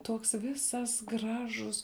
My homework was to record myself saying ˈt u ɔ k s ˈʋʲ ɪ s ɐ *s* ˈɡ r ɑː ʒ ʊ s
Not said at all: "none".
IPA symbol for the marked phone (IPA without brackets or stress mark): s